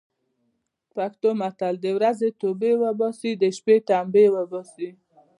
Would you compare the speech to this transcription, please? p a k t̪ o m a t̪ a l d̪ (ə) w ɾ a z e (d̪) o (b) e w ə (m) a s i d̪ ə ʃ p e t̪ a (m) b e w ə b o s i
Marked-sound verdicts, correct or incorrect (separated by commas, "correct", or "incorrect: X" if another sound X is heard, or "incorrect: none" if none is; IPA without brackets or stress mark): correct, incorrect: t̪, correct, incorrect: b, correct